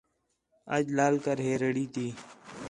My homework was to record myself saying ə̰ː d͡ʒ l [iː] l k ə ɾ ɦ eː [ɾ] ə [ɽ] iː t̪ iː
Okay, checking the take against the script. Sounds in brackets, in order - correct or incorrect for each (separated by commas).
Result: incorrect, correct, correct